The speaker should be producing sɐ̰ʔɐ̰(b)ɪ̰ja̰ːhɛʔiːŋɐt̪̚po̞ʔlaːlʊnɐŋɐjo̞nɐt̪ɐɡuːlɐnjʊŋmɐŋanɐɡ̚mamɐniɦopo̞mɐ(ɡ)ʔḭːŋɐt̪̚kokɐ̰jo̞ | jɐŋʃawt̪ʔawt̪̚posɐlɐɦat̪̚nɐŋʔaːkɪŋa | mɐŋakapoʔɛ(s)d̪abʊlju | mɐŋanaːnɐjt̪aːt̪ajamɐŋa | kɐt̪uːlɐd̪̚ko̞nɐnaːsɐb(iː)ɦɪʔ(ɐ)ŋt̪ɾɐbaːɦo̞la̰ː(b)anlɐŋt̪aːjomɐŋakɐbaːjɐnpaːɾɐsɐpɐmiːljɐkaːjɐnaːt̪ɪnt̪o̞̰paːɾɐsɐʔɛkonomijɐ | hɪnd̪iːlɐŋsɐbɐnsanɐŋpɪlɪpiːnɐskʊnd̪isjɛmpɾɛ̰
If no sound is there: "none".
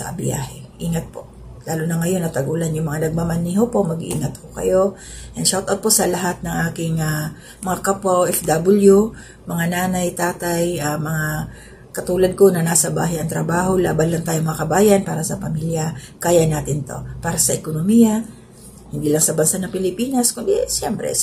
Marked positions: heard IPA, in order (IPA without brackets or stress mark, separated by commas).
b, ɡ, f, aː, ɐ, b